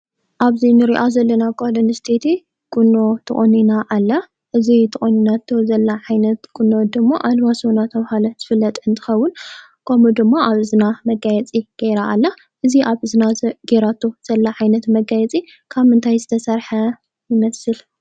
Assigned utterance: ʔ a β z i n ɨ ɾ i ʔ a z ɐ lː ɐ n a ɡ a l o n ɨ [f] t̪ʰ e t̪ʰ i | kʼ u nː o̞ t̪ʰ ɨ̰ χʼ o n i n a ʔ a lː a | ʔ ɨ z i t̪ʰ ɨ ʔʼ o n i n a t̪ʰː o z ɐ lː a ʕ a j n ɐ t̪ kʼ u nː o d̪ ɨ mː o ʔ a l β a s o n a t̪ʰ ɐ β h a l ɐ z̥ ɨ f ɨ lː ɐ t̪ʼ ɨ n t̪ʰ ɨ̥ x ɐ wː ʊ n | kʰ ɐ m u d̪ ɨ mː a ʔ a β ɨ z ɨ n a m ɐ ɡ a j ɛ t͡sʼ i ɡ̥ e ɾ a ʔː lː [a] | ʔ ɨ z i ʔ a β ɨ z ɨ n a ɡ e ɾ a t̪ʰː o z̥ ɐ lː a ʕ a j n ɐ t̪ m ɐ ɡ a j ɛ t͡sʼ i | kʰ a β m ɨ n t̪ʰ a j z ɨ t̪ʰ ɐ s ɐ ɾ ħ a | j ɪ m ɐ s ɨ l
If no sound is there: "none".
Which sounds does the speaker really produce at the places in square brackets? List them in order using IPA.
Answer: s, a

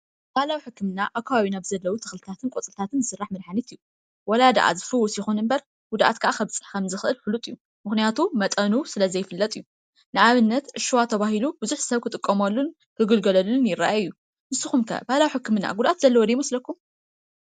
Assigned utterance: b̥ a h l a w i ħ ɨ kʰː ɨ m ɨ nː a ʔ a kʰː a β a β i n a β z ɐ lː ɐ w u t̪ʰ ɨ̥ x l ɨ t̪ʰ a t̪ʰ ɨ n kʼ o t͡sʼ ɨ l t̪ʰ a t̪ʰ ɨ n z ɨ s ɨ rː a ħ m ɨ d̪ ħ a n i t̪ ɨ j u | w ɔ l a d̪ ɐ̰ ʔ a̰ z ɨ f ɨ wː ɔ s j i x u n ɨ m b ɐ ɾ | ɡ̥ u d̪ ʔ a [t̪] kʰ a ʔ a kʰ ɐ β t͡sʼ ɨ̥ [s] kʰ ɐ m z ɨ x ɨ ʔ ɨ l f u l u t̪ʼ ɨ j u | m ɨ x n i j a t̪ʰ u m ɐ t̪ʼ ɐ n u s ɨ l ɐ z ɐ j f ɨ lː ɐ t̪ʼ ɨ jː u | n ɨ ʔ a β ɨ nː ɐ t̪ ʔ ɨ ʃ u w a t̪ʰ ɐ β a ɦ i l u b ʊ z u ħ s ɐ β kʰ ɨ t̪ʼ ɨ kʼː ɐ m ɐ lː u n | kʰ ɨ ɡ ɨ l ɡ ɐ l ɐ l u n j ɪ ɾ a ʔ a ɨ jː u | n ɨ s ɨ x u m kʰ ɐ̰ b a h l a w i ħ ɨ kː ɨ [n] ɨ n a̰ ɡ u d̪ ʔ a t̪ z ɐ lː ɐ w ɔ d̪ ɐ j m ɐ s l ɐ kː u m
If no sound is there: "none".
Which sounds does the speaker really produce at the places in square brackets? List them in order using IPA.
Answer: t̪, ħ, m

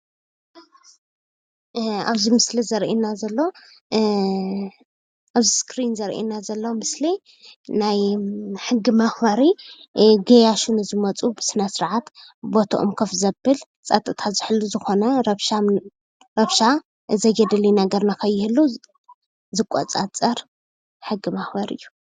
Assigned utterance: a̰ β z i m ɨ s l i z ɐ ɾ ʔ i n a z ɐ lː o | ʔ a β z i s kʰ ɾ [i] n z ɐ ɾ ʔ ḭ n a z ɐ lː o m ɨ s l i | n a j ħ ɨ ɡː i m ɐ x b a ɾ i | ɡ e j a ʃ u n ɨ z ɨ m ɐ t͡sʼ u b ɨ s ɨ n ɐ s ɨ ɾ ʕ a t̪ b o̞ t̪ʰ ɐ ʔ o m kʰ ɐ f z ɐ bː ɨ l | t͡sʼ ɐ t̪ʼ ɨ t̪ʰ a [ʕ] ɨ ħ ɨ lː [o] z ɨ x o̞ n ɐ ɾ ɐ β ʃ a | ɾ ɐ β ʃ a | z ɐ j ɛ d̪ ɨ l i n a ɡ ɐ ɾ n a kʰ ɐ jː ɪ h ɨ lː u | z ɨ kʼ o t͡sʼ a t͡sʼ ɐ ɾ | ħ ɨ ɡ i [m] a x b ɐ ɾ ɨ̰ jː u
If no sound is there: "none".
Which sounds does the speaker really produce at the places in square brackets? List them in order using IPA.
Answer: i, z, u, m

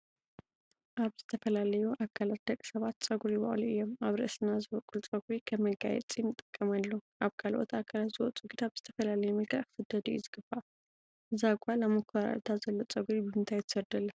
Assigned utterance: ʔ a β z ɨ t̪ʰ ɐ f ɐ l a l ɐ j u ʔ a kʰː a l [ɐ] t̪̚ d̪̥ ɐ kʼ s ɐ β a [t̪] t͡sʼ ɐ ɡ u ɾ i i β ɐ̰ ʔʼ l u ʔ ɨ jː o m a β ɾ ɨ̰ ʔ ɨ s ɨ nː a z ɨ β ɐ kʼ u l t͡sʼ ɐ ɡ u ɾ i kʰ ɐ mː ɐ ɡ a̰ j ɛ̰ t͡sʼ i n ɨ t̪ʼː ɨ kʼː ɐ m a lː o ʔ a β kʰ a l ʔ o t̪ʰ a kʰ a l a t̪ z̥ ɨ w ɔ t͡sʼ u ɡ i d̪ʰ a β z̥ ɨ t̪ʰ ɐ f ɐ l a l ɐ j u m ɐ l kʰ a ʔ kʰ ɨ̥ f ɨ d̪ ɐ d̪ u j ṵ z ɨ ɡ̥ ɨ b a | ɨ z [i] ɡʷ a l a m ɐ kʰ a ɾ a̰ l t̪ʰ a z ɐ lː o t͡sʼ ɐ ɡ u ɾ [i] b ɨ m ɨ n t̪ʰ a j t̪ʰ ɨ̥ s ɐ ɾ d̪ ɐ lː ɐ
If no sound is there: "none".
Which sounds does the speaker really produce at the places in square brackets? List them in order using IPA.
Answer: a, t̪, a, i

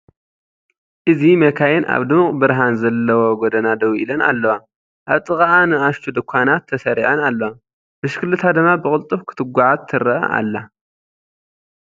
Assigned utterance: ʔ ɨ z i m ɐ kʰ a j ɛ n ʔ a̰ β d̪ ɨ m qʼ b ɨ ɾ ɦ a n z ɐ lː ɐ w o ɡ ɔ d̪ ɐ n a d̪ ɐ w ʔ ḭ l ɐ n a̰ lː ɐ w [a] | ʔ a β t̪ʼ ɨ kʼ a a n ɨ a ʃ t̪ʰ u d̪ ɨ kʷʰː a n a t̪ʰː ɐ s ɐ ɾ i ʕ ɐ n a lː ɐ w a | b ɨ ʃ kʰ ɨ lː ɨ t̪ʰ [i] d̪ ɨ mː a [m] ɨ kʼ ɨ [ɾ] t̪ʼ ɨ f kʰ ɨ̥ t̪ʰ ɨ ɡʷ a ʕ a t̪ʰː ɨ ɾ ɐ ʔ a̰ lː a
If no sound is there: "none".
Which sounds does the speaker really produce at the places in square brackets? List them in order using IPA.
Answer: a, a, b, l

